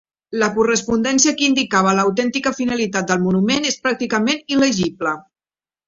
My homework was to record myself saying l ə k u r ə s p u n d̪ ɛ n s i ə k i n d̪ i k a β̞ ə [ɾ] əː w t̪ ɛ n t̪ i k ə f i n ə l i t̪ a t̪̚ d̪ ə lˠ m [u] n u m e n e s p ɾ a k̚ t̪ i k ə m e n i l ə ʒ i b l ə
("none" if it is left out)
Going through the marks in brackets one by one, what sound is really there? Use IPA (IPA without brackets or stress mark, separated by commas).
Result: l, u